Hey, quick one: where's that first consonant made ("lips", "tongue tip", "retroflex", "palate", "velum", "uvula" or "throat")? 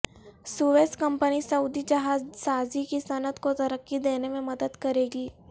tongue tip